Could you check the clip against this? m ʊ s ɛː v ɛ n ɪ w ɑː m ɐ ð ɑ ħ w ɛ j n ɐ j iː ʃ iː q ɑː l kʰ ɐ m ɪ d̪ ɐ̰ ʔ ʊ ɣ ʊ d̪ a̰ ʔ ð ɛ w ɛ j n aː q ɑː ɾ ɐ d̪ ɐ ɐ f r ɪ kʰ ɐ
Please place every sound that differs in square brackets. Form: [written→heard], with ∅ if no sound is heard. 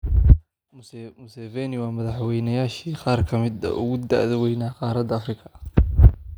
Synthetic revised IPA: m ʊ s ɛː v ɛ n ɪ w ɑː m ɐ ð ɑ ħ w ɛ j n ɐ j [iː→aː] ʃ iː q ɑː [l→r] kʰ ɐ m ɪ d̪ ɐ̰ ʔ ʊ ɣ ʊ d̪ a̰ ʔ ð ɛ w ɛ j n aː q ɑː ɾ ɐ d̪ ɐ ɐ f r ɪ kʰ ɐ